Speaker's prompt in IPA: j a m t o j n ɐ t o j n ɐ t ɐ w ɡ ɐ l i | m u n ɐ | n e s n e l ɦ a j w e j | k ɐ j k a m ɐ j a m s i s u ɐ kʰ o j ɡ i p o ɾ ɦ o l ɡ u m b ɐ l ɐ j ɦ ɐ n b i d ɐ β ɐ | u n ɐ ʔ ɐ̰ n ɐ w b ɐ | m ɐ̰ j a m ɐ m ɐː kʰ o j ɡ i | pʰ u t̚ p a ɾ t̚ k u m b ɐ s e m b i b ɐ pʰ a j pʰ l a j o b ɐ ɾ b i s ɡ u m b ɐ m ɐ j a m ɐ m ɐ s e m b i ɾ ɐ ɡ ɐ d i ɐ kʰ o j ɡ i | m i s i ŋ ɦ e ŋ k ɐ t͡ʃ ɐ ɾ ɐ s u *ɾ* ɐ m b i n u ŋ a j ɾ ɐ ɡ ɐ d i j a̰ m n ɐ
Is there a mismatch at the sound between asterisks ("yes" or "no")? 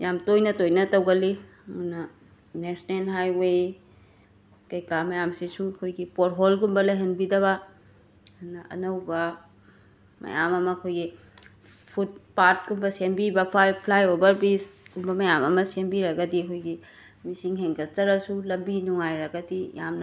yes